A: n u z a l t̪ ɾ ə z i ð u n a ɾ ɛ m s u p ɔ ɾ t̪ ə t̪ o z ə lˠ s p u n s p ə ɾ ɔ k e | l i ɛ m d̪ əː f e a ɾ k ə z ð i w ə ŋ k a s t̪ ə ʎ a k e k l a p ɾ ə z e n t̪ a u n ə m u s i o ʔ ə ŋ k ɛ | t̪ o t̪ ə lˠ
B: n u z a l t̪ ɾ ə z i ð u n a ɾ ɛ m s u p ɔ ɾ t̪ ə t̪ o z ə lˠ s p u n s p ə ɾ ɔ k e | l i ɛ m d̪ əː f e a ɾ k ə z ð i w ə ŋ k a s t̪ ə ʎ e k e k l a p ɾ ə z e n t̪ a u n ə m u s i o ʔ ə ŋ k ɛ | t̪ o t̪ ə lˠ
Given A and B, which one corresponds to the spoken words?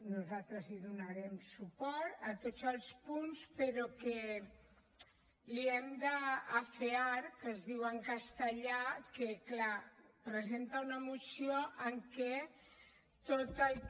A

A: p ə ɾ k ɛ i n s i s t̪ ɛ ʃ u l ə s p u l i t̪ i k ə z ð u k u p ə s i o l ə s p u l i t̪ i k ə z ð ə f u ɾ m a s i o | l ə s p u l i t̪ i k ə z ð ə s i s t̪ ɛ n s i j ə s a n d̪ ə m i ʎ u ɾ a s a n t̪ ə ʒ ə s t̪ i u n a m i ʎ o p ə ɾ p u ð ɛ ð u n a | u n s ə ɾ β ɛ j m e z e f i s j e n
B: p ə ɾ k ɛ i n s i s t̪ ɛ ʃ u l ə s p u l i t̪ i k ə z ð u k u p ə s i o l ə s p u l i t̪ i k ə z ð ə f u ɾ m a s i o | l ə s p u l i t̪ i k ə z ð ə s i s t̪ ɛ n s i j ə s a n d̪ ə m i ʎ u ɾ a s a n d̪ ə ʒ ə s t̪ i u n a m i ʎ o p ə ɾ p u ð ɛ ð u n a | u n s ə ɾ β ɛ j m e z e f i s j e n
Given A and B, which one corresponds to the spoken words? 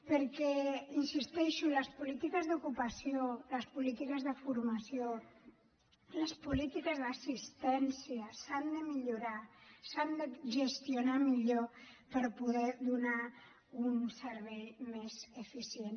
B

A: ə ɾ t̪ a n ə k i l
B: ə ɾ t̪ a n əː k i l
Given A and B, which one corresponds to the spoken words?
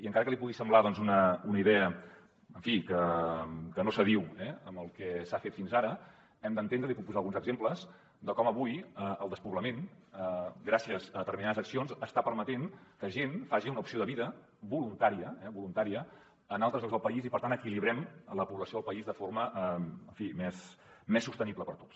A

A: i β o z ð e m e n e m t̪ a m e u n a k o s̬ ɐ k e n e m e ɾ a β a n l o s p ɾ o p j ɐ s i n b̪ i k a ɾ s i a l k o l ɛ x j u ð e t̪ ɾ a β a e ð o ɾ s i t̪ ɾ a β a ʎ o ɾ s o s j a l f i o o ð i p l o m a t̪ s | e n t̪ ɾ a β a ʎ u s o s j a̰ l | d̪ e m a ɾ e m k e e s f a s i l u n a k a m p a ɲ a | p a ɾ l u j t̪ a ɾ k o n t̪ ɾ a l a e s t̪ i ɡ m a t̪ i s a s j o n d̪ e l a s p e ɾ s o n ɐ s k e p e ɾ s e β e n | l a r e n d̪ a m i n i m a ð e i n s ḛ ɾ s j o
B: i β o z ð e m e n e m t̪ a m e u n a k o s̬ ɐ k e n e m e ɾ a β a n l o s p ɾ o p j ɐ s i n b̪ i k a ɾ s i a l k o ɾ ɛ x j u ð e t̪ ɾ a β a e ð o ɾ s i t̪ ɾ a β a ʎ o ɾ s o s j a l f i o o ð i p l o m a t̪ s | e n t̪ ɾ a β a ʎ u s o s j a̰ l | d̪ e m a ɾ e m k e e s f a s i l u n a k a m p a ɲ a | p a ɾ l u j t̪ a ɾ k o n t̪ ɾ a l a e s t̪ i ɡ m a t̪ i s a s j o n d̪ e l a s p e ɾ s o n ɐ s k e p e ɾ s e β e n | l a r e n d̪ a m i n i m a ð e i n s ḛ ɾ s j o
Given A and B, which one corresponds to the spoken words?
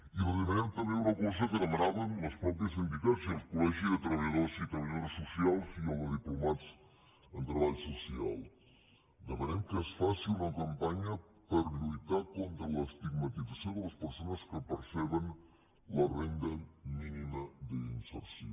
A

